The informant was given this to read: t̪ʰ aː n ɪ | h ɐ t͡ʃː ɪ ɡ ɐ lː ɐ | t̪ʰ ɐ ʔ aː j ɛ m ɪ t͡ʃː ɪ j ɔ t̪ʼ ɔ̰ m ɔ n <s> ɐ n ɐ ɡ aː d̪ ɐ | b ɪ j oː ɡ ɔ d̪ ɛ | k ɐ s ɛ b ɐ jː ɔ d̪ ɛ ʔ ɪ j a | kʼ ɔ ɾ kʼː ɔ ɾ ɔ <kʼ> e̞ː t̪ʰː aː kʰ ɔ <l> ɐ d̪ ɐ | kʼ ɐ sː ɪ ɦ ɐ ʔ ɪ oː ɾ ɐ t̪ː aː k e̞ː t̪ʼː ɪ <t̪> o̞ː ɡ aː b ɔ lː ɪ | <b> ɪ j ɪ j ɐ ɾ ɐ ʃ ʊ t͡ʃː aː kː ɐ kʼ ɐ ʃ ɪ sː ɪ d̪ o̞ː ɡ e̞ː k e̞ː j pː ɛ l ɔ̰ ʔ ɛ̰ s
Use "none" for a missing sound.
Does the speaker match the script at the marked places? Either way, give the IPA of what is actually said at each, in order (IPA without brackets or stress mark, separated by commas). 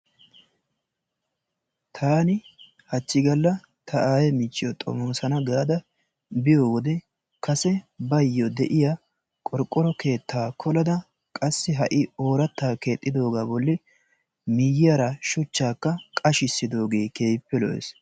s, k, l, d̪, m